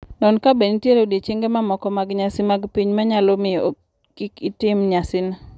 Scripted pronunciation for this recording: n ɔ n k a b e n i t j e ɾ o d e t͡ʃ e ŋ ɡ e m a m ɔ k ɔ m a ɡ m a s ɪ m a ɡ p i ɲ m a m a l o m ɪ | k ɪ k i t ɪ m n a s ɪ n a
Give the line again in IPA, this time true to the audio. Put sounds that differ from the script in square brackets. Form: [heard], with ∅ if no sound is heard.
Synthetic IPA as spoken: n ɔ n k a b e n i t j e ɾ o d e t͡ʃ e ŋ ɡ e m a m ɔ k ɔ m a ɡ [ɲ] a s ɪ m a ɡ p i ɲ m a [ɲ] a l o m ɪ | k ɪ k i t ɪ m [ɲ] a s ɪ n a